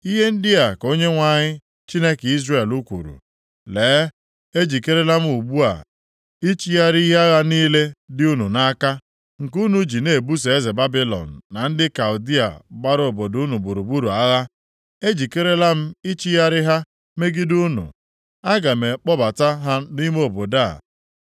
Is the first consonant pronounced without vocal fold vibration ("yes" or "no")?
no